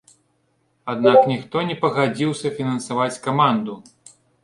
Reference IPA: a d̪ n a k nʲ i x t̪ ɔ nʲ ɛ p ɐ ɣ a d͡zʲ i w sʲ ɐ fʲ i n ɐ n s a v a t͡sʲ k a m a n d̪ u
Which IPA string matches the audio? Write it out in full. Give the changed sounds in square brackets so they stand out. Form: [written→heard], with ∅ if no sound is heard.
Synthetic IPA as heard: a d̪ n a k nʲ i x t̪ ɔ nʲ ɛ p ɐ ɣ a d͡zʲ i w sʲ ɐ fʲ i n ɐ n s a v a t͡sʲ k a m a n d̪ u